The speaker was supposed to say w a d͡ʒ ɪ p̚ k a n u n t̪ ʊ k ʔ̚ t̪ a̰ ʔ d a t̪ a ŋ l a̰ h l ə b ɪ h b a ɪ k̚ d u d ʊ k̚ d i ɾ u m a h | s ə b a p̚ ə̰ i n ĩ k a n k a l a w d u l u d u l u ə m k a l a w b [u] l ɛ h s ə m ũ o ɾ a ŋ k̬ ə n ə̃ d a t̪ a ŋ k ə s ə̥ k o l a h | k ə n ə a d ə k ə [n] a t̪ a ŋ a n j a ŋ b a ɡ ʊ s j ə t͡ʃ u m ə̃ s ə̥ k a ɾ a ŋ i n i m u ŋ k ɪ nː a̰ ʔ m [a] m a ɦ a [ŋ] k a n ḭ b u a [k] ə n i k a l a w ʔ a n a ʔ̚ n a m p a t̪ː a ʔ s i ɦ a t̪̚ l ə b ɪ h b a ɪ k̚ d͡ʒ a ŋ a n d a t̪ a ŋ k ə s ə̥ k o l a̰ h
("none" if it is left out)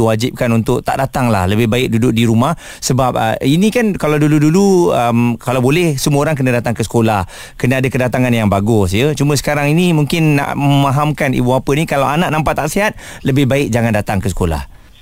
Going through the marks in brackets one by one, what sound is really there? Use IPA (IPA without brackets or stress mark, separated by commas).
o, d, ə, m, p